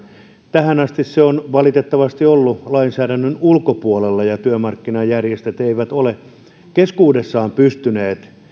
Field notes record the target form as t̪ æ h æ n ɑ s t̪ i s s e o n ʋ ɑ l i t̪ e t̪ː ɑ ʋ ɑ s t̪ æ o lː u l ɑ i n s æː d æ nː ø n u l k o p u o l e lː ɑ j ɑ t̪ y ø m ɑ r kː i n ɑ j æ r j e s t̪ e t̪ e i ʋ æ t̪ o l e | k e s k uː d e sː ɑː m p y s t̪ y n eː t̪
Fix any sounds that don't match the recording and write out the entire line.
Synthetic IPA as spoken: t̪ æ h æ n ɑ s t̪ i s s e o n ʋ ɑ l i t̪ e t̪ː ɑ ʋ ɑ s t̪ i o lː u l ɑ i n s æː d æ nː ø n u l k o p u o l e lː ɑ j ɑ t̪ y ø m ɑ r kː i n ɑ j æ r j e s t̪ e t̪ e i ʋ æ t̪ o l e | k e s k uː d e sː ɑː m p y s t̪ y n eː t̪

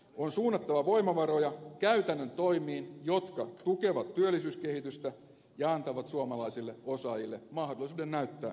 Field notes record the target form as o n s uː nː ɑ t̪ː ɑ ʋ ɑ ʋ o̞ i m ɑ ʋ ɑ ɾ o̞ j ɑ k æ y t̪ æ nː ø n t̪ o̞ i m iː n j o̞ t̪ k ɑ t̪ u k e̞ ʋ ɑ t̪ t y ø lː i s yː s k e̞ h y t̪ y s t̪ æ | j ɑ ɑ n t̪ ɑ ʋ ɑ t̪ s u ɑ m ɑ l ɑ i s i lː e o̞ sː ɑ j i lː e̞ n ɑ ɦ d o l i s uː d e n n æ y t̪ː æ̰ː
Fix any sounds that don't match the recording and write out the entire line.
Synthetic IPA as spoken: o n s uː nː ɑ t̪ː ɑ ʋ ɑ ʋ o̞ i m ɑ ʋ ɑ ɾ o̞ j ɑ k æ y t̪ æ nː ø n t̪ o̞ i m iː n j o̞ t̪ k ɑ t̪ u k e̞ ʋ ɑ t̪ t y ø lː i s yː s k e̞ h i t̪ y s t̪ æ | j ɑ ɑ n t̪ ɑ ʋ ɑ t̪ s u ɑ m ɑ l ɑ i s i lː e o̞ s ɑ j i lː e̞ m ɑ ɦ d o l i s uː d e n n æ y t̪ː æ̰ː

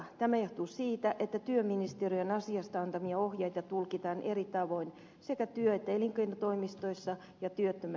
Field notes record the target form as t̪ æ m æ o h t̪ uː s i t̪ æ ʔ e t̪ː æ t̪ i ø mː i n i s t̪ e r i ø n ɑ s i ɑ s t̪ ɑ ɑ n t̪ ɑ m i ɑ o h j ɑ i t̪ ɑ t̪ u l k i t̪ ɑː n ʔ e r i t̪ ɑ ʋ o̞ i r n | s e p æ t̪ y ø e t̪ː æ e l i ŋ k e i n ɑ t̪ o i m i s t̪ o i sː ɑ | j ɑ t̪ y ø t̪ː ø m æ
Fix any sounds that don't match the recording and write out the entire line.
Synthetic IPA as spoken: t̪ æ m æ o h t̪ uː s iː t̪ æ ʔ e t̪ː æ t̪ y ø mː i n i s t̪ e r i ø n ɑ s i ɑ s t̪ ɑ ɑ n t̪ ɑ m i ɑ o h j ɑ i t̪ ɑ t̪ u l k i t̪ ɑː n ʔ e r i t̪ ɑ ʋ o̞ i n | s e k æ t̪ y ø e t̪ː æ e l i ŋ k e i n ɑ t̪ o i m i s t̪ o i sː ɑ | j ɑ t̪ y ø t̪ː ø m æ

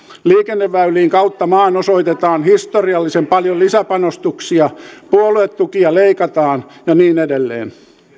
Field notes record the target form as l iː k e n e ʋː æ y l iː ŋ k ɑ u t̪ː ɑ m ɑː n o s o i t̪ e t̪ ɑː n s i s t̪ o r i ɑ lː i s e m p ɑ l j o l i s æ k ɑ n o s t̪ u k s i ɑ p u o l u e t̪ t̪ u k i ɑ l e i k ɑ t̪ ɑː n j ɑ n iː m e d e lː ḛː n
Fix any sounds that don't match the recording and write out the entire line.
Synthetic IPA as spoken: l iː k e nː e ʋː æ y l iː ŋ k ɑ u t̪ː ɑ m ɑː n o s o i t̪ e t̪ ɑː n h i s t̪ o r i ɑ lː i s e m p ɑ l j o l i s æ p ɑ n o s t̪ u k s i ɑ p u o l u e t̪ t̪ u k i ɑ l e i k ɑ t̪ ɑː n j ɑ n iː n e d e lː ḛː n

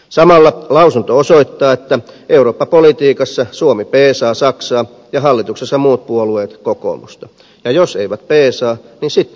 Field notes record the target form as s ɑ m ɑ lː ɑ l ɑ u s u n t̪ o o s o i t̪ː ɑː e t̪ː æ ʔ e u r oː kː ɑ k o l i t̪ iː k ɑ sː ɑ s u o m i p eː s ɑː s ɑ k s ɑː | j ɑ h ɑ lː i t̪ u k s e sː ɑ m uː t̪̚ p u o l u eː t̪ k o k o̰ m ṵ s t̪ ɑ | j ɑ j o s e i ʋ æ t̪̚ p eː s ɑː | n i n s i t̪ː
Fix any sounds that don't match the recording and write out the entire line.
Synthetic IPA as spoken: s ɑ m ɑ lː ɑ l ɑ u s u n t̪ o o s o i t̪ː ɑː e t̪ː æ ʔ e u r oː pː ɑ p o l i t̪ iː k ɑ sː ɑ s u o m i p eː s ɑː s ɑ k s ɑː | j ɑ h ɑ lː i t̪ u k s e sː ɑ m uː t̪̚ p u o l u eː t̪ k o k o̰ m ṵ s t̪ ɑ | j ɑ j o s e i ʋ æ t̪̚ p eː s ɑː | n i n s i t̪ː

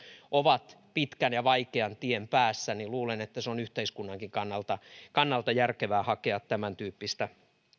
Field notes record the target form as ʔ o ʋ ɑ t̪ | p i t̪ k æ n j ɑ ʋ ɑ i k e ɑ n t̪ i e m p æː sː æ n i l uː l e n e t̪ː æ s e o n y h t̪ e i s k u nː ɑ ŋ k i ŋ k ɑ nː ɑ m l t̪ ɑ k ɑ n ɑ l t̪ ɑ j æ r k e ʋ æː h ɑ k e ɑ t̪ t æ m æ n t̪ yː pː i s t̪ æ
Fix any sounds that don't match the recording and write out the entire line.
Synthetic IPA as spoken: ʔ o ʋ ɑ t̪ | p i t̪ k æ n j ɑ ʋ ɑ i k e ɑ n t̪ i e m p æː sː æ n i l uː l e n e t̪ː æ s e o n y h t̪ e i s k u nː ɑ ŋ k i ŋ k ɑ nː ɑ l t̪ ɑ k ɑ nː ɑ l t̪ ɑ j æ r k e ʋ æː h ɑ k e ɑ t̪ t æ m æ n t̪ yː pː i s t̪ æ

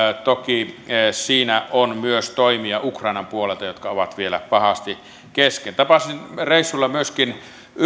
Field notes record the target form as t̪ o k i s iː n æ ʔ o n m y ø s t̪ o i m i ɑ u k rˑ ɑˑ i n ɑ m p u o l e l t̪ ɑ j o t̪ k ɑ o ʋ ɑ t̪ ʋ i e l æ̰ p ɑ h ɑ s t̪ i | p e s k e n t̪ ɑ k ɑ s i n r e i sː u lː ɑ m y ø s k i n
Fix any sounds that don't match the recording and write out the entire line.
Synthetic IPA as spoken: t̪ o k i s iː n æ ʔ o n m y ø s t̪ o i m i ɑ u k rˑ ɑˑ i n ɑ m p u o l e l t̪ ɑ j o t̪ k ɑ o ʋ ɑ t̪ ʋ i e l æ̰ p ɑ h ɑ s t̪ i | k e s k e n t̪ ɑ p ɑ s i n r e i sː u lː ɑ m y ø s k i n

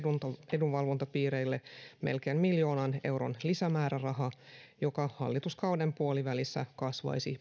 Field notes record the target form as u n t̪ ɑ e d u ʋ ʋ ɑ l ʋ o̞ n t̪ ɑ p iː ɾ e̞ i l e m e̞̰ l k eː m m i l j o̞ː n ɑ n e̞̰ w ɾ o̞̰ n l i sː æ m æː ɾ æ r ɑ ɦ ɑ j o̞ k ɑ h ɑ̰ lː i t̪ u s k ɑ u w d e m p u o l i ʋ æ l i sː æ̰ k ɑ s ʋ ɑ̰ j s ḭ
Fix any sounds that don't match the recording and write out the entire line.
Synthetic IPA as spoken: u n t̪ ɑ e d u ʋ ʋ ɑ l ʋ o̞ n t̪ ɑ p iː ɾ e̞ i lː e m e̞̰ l k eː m m i l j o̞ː n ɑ n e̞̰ w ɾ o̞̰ n l i s æ m æː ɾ æ r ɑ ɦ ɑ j o̞ k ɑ h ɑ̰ lː i t̪ u s k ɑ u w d e m p u o l i ʋ æ l i sː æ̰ k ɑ s ʋ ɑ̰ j s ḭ

